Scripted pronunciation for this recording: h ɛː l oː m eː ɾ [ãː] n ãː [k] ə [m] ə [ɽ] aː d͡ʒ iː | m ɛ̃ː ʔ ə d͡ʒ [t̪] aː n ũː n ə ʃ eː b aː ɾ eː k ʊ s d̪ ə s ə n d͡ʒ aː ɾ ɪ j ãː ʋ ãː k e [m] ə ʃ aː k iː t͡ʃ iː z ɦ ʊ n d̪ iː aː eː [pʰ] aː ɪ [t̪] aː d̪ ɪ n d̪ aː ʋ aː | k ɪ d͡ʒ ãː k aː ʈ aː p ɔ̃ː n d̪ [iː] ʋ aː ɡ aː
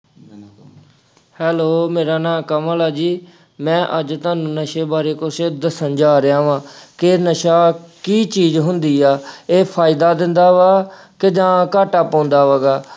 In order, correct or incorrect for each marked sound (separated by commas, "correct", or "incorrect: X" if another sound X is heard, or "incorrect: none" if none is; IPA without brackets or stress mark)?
incorrect: aː, correct, correct, incorrect: l, correct, incorrect: n, correct, incorrect: d̪, incorrect: aː